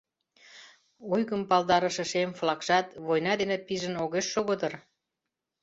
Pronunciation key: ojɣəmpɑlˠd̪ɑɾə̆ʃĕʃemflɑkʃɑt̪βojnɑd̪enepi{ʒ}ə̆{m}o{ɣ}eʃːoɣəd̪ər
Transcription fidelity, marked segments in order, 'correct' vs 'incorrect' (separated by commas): correct, incorrect, correct